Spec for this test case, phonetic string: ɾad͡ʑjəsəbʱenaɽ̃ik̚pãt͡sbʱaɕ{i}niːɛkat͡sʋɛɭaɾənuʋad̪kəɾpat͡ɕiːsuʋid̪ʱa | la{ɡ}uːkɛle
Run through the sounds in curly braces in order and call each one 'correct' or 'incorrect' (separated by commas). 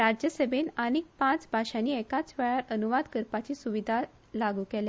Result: incorrect, correct